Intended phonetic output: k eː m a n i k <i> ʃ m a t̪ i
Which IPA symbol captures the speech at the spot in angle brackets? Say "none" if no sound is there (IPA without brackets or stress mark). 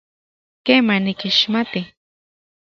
i